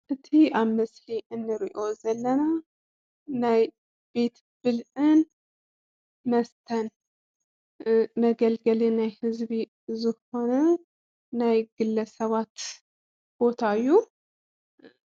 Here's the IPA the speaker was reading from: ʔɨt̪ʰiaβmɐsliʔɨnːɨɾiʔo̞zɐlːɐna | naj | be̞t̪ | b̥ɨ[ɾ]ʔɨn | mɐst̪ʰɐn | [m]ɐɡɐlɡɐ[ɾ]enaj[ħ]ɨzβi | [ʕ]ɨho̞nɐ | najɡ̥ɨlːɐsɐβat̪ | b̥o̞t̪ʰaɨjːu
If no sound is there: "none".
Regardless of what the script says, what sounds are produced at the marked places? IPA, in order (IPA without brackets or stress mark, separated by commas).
l, m, l, h, z